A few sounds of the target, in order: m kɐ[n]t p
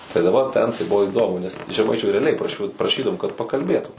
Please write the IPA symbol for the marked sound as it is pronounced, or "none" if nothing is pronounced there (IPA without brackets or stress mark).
none